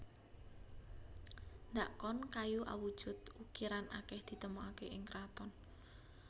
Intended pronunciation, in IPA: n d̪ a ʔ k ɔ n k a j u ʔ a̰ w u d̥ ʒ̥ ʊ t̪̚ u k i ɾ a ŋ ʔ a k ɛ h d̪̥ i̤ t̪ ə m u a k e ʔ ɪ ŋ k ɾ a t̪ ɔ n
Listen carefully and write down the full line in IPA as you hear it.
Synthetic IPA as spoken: n d̪ a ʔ k ɔ n k a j u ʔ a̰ w u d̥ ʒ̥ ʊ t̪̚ u k i ɾ a n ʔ a k ɛ h d̪̥ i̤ t̪ ə m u a k e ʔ ɪ ŋ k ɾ a t̪ ɔ n